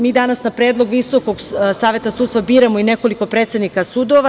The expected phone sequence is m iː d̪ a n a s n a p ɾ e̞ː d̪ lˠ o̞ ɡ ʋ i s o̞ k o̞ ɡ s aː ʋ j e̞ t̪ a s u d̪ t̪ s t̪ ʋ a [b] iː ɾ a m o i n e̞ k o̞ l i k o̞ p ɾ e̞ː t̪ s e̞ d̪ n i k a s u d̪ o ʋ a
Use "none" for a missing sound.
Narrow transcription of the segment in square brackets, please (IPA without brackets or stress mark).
b